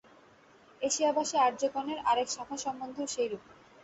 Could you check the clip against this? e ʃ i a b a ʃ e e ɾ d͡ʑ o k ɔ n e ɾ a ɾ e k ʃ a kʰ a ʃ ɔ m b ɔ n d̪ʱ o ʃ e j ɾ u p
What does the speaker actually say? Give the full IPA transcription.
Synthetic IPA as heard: e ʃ i a b a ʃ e a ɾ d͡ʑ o k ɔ n e ɾ a ɾ e k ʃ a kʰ a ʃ ɔ m b o n d̪ʱ o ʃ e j ɾ u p